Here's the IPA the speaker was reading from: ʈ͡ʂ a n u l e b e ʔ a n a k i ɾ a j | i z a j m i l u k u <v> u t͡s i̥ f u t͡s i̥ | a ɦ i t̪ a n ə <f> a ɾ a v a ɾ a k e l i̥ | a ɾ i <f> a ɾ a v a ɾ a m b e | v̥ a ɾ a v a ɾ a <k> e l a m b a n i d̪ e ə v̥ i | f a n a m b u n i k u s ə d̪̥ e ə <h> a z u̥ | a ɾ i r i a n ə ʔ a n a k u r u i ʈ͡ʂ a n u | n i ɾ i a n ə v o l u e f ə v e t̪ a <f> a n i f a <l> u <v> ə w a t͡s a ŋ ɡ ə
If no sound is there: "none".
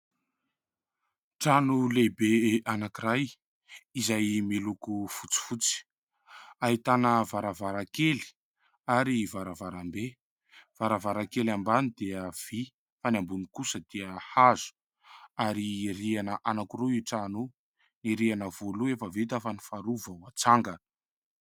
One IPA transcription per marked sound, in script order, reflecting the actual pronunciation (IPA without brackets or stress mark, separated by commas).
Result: f, v, v, k, h, f, ɾ, v